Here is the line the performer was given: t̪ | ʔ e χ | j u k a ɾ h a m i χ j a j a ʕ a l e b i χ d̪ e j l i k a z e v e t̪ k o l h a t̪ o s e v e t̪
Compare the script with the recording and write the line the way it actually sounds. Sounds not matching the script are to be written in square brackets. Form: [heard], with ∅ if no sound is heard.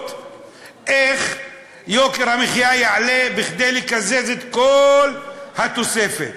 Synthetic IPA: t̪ | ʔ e χ | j [o] k [e] ɾ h a m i χ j a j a ʕ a l e b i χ d̪ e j l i k a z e [z] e t̪ k o l h a t̪ o s e [f] e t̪